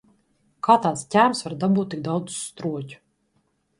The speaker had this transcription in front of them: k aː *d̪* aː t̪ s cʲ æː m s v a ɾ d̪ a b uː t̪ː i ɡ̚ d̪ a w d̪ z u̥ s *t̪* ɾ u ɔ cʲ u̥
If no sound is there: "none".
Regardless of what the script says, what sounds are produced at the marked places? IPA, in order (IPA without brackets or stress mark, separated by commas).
t̪, t̪